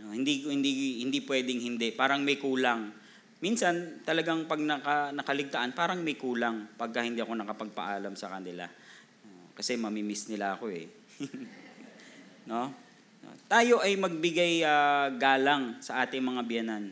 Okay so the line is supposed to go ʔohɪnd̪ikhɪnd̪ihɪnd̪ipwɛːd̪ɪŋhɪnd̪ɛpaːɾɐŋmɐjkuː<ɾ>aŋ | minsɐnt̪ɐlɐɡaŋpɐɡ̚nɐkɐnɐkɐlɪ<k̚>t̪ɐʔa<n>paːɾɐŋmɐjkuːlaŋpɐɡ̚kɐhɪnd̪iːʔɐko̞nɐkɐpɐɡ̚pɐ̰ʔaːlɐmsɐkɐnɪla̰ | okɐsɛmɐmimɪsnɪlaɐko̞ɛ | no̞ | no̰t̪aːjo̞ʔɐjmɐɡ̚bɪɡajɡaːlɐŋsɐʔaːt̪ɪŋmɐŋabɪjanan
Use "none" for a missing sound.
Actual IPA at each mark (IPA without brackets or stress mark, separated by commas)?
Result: l, ɡ̚, n